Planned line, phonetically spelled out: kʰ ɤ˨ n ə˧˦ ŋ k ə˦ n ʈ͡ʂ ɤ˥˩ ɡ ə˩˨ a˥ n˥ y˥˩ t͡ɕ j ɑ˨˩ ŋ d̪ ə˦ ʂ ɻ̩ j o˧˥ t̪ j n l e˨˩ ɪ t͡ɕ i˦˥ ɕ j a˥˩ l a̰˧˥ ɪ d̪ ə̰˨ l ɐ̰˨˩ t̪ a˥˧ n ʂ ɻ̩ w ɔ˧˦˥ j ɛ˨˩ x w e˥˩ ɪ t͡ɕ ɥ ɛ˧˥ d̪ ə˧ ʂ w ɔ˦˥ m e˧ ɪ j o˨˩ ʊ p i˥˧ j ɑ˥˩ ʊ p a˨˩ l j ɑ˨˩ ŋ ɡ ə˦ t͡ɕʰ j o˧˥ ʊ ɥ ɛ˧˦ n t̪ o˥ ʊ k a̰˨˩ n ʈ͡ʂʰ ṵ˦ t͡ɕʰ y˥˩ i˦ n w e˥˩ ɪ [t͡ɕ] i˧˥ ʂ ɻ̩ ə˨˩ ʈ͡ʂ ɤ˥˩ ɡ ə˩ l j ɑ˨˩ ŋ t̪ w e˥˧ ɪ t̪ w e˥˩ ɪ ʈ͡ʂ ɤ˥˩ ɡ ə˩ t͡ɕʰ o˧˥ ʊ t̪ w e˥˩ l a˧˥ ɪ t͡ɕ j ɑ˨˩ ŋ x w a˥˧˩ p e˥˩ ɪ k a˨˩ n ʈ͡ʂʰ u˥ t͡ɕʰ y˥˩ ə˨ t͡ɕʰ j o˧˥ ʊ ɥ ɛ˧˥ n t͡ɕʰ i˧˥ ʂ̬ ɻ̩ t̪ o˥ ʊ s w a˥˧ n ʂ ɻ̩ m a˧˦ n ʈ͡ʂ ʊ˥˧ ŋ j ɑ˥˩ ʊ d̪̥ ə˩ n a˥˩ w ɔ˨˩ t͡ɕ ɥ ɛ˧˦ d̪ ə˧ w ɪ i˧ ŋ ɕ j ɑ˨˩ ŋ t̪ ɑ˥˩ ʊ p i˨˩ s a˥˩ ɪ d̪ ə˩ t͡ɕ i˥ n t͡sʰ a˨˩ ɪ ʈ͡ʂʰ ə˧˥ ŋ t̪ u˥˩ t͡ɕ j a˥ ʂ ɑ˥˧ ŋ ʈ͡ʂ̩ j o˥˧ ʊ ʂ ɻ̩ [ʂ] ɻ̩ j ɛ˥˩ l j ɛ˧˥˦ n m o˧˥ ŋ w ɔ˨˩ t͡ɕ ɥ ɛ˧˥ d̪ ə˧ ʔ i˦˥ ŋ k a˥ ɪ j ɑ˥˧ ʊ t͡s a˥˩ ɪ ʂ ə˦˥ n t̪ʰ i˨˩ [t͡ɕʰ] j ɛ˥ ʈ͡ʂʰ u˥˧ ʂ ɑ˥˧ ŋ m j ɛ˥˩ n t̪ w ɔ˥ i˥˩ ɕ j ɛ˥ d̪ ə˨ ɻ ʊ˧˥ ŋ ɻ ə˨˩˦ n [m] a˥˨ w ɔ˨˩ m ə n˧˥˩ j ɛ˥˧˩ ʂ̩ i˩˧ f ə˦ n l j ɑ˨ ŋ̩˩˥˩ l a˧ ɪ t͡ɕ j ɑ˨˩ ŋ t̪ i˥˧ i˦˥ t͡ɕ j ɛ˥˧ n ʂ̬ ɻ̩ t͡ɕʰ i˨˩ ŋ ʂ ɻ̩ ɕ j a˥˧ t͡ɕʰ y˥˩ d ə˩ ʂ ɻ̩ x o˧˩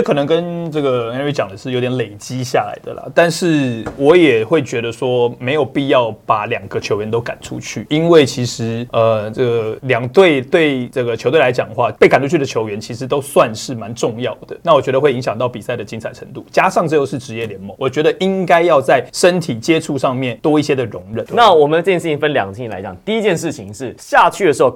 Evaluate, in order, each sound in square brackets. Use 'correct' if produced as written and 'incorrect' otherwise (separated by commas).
incorrect, incorrect, incorrect, incorrect